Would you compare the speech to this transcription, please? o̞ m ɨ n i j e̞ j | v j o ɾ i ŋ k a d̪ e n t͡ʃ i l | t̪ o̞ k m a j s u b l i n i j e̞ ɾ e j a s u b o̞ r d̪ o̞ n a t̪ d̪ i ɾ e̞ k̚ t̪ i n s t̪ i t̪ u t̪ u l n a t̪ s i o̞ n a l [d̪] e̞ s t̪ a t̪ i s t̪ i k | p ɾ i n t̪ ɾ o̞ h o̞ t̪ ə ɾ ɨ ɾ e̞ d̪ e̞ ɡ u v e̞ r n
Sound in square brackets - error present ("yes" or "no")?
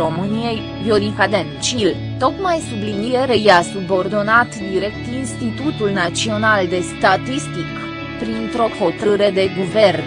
no